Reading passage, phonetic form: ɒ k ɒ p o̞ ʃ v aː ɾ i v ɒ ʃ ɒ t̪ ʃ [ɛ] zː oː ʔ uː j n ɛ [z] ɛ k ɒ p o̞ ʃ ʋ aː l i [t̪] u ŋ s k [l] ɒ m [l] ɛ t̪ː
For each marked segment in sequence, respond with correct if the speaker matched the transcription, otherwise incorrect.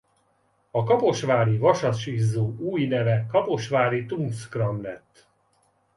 incorrect: i, incorrect: v, correct, incorrect: r, correct

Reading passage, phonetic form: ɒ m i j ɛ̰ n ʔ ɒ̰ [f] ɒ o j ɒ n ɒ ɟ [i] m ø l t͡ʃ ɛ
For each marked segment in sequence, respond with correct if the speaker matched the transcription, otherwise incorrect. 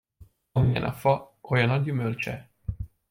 correct, incorrect: y

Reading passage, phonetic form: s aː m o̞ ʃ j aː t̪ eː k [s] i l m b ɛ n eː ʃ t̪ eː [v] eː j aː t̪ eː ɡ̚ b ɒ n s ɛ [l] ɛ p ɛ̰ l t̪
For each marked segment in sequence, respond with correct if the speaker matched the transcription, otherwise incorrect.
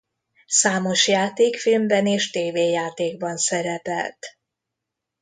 incorrect: f, correct, incorrect: ɾ

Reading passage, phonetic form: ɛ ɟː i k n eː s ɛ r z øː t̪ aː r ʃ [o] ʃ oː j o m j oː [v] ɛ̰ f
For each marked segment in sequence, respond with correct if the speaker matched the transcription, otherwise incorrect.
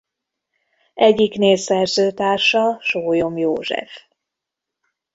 incorrect: ɒ, incorrect: ʒ

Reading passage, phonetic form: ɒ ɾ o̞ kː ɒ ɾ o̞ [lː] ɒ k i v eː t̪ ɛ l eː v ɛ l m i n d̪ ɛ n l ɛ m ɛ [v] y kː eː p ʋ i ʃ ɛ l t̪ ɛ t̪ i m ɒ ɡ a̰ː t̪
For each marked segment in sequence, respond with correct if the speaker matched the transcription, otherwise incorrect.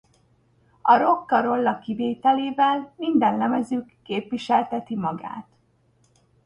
correct, incorrect: z

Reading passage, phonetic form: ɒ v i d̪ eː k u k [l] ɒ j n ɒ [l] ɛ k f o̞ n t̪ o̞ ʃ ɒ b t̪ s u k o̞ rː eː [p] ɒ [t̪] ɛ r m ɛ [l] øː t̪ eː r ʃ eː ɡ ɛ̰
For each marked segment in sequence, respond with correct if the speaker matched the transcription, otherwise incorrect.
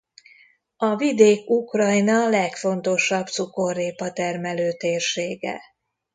incorrect: r, correct, correct, correct, correct

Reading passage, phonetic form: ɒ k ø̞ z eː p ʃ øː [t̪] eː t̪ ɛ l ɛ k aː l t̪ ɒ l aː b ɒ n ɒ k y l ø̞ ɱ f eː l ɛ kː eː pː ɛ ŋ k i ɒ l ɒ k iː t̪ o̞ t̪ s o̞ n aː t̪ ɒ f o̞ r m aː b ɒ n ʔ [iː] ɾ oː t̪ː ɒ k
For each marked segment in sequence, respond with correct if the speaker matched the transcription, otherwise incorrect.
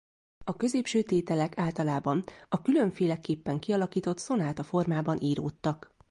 correct, correct

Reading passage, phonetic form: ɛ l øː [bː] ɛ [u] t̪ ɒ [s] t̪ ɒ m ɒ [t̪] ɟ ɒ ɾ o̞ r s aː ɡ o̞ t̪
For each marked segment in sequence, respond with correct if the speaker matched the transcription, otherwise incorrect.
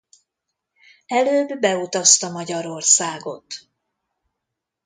correct, correct, correct, incorrect: none

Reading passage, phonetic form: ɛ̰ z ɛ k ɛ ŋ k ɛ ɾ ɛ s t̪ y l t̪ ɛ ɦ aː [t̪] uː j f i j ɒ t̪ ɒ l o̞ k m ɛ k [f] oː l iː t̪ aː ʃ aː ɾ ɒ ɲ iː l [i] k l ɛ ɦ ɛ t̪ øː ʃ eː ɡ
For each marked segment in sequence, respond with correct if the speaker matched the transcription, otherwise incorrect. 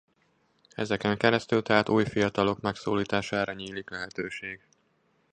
correct, incorrect: s, correct

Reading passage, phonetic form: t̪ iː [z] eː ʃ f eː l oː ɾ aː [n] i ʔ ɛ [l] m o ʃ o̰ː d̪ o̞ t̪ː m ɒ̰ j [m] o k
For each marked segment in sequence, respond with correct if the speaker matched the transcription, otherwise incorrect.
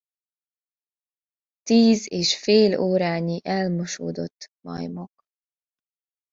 correct, incorrect: ɲ, correct, correct

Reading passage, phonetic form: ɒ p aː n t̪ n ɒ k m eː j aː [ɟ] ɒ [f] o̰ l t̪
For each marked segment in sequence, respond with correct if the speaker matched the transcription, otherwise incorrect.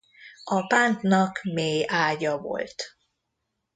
correct, incorrect: v

